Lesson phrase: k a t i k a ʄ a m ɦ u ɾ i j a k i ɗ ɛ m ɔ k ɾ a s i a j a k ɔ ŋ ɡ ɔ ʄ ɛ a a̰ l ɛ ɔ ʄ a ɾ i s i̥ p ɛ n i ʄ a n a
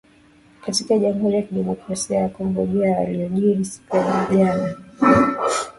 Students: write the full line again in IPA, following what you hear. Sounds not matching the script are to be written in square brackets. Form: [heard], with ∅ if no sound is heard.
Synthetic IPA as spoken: k a t i k a ʄ a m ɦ u ɾ i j a k i ɗ ɛ m ɔ k ɾ a s i a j a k ɔ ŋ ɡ ɔ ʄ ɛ a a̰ l [i] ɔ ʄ [i] ɾ i s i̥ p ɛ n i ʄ a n a